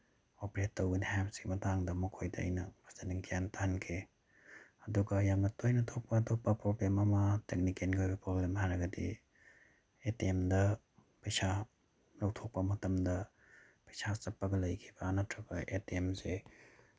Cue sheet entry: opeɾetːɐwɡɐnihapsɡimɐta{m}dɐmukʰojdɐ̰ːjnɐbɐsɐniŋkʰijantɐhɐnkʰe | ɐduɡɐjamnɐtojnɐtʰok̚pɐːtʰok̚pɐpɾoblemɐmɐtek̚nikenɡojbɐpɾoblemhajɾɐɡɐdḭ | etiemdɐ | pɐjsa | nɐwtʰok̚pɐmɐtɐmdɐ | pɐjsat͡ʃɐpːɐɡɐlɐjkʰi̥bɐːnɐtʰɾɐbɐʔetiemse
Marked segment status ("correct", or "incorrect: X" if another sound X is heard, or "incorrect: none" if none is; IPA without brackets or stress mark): incorrect: ŋ